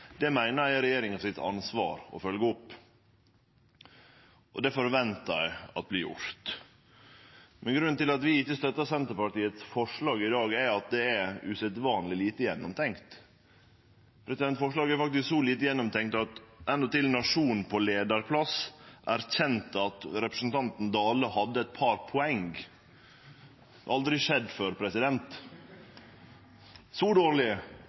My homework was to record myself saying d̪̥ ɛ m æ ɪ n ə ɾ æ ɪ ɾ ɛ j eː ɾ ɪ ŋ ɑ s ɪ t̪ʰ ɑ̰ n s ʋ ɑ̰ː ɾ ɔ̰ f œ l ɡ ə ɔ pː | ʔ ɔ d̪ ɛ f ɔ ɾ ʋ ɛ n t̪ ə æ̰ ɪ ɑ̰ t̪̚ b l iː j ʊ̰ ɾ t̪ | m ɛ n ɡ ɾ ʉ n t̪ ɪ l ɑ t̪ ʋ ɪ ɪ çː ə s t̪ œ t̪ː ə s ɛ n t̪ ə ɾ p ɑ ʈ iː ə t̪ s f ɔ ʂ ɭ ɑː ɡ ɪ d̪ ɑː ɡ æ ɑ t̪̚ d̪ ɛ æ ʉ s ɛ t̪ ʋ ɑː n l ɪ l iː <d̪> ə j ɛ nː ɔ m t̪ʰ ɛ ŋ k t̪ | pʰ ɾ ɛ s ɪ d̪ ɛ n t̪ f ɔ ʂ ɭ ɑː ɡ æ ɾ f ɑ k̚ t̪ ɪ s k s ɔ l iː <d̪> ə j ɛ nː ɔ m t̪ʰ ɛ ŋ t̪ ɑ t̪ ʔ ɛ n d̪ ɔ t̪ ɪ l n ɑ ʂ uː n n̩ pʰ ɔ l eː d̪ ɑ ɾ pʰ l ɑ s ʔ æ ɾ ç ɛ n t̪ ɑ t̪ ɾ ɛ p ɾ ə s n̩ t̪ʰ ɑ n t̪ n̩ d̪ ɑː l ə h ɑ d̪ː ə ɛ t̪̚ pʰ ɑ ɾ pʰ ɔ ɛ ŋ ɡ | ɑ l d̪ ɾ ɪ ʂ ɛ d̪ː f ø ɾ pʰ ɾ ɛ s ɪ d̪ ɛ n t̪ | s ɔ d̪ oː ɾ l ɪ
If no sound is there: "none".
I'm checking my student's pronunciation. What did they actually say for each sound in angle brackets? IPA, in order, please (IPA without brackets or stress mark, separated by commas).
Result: t̪, t̪